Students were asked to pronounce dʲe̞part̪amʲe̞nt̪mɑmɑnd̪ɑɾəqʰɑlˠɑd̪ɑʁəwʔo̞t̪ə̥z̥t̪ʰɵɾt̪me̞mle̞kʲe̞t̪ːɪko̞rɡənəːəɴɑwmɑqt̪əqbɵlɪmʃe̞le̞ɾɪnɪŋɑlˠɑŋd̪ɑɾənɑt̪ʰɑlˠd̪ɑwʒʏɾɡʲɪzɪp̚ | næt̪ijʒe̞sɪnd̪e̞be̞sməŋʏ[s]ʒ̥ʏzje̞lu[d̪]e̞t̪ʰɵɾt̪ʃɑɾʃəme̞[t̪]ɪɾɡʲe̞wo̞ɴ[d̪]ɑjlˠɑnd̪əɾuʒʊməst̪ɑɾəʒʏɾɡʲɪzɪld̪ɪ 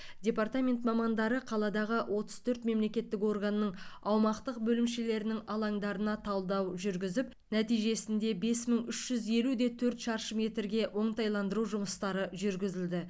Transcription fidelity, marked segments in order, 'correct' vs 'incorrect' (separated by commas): incorrect, correct, correct, incorrect